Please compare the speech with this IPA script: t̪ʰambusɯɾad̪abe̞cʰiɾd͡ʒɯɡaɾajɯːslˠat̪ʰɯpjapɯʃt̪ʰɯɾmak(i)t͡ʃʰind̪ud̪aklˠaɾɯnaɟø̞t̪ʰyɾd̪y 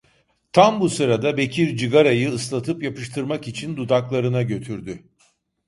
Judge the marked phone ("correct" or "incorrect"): correct